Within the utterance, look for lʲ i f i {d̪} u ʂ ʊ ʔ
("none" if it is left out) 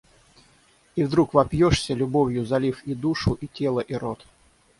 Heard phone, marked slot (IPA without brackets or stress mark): d̪